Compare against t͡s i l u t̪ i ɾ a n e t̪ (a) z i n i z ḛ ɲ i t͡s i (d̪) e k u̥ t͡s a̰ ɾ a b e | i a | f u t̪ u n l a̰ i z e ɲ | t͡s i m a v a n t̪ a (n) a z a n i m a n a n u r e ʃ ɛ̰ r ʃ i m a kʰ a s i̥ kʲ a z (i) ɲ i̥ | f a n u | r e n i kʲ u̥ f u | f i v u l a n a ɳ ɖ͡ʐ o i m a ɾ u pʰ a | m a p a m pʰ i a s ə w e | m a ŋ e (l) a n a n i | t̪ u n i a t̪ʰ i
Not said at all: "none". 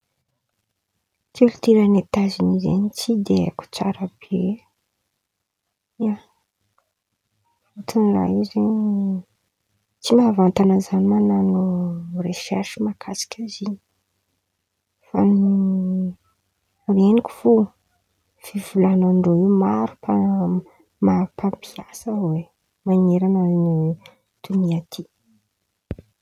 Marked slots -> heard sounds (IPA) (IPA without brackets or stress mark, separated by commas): a, d̪, n, i, ɾ